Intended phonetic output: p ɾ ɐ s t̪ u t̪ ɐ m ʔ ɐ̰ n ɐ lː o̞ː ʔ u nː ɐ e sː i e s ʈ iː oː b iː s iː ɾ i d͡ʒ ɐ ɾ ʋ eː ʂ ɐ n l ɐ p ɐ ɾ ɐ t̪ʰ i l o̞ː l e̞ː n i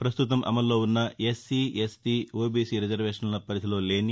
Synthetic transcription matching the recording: p ɾ ɐ s t̪ u t̪ ɐ m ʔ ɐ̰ m ɐ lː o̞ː u nː ɐ e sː i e s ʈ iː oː b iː s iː ɾ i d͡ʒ ɐ ɾ ʋ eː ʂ ɐ n l ɐ p ɐ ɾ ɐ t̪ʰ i l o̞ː l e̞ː n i